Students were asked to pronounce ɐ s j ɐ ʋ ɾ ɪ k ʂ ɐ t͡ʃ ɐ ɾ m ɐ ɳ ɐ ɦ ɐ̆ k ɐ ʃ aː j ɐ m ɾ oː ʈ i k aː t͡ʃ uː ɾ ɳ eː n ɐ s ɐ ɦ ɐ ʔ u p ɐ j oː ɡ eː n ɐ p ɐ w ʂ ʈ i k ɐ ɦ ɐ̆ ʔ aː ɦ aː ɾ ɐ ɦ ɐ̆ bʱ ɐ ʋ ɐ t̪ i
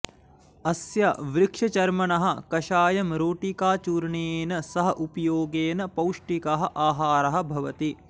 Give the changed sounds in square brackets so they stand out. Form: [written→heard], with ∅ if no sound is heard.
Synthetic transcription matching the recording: ɐ s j ɐ ʋ ɾ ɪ k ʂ ɐ t͡ʃ ɐ ɾ m ɐ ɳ ɐ ɦ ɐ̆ k ɐ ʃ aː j ɐ m ɾ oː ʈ i k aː t͡ʃ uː ɾ ɳ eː n ɐ s ɐ ɦ ɐ ʔ u p ɐ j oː ɡ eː n ɐ p ɐ w ʂ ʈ i k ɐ ɦ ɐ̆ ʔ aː ɦ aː ɾ ɐ ɦ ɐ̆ bʱ ɐ ʋ ɐ t̪ i